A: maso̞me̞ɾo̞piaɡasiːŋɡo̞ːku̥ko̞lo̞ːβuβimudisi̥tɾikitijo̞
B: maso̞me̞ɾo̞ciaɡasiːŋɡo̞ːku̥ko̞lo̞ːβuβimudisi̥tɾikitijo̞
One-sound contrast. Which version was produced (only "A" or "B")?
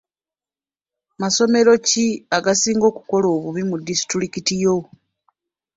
B